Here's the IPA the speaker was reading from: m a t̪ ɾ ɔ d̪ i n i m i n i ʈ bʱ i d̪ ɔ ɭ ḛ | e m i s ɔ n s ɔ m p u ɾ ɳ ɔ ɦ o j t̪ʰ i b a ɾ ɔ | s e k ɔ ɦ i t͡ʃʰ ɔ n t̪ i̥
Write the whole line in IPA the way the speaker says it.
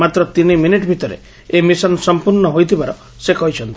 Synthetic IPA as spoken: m a t̪ ɾ ɔ t̪ i n i m i n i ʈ bʱ i t̪ ɔ ɾ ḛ | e m i s ɔ n s ɔ m p u ɾ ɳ ɔ ɦ o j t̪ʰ i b a ɾ ɔ | s e k ɔ ɦ i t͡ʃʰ ɔ n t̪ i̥